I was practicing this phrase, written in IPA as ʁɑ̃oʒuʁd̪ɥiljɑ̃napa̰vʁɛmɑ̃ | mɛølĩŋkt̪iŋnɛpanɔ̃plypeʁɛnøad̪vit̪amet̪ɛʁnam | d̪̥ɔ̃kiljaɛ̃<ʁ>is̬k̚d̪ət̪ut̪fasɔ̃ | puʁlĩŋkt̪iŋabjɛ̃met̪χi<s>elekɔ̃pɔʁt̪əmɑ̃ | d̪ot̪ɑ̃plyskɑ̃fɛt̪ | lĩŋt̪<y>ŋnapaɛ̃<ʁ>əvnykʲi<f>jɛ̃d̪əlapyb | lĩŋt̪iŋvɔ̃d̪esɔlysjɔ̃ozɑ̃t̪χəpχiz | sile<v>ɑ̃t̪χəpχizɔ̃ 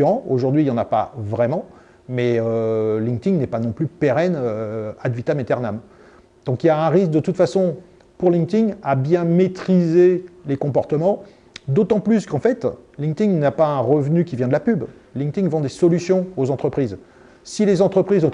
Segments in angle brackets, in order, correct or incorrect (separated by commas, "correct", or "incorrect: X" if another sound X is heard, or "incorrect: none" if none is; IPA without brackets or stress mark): correct, incorrect: z, incorrect: i, correct, incorrect: v, incorrect: z